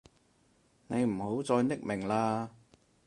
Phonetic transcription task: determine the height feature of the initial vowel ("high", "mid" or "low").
mid